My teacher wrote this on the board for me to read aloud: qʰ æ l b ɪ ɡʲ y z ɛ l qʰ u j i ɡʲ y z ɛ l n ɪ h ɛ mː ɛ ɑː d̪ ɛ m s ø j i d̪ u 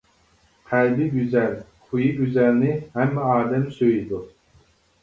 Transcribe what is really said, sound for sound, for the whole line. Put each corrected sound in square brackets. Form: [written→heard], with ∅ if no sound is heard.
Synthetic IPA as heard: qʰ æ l b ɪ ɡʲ y z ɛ l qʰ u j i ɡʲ y z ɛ l n ɪ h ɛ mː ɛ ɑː d̪ ɛ m s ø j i d̪ u